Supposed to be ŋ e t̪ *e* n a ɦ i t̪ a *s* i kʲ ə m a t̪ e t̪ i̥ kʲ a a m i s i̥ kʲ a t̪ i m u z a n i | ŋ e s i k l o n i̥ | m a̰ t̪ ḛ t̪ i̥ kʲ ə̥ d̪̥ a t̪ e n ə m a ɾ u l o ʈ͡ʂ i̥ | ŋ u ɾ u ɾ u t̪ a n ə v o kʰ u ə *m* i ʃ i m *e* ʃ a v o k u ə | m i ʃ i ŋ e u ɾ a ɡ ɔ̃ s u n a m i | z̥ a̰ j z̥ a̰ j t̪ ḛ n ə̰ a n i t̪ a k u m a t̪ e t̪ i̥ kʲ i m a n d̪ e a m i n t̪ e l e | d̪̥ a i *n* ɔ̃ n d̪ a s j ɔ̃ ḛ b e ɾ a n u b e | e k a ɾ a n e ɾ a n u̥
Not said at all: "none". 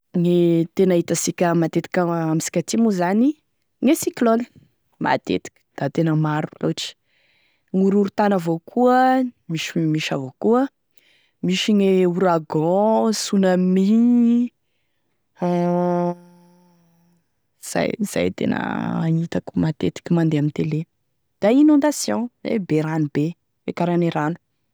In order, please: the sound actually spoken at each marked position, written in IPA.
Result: e, s, m, i, n

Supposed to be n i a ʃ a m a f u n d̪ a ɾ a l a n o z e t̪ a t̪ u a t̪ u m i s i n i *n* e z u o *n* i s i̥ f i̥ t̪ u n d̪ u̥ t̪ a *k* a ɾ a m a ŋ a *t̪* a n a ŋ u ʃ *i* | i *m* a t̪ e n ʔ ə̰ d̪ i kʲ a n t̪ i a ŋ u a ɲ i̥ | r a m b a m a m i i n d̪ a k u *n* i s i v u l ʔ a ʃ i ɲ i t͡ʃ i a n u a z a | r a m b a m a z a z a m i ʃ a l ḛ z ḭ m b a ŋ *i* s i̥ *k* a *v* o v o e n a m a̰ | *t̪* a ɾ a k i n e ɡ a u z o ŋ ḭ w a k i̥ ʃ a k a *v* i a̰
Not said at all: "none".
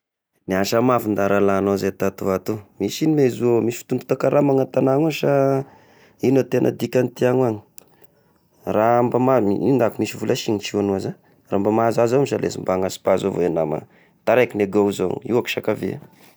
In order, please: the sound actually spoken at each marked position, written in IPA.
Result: m, m, k, t̪, a, n, m, a, p, z, t̪, v

